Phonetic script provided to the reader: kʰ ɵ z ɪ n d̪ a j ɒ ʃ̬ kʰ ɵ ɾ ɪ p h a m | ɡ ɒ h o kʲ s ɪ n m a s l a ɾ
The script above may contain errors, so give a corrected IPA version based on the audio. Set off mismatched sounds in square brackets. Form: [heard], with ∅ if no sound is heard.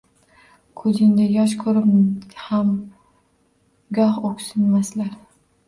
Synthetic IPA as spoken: kʰ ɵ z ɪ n d̪ a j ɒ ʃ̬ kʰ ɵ ɾ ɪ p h a m | ɡ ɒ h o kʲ s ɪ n m a s l a ɾ